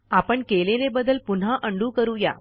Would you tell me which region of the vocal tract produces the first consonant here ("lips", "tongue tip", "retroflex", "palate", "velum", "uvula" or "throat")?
lips